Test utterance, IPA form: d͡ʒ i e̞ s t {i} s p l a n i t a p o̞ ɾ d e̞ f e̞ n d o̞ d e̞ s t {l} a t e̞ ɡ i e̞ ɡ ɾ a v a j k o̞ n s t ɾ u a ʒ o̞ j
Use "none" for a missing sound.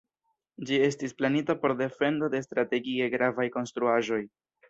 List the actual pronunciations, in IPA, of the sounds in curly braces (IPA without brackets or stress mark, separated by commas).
i, ɾ